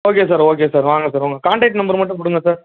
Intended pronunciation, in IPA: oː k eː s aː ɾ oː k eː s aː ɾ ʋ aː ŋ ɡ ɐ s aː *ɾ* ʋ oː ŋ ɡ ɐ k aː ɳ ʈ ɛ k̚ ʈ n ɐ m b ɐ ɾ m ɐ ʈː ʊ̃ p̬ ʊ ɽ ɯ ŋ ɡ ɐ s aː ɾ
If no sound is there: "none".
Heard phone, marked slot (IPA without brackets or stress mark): ɾ